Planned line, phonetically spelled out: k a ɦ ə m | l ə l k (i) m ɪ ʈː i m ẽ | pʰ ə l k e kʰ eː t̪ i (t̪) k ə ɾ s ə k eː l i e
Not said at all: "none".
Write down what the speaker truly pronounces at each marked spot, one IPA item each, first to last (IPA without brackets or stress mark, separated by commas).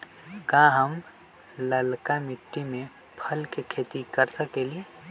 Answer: a, none